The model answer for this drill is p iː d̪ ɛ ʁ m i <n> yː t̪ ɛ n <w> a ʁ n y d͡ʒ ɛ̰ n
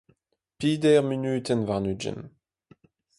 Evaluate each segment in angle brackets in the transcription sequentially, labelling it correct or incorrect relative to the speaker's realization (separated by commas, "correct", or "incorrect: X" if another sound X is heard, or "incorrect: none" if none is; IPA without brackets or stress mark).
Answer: correct, incorrect: v